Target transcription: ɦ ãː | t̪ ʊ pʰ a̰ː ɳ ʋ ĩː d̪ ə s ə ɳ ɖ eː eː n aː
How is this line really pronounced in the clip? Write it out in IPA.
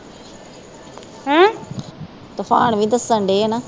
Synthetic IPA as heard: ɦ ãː | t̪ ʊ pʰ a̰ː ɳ ʋ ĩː d̪ ə s ə ɳ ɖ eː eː n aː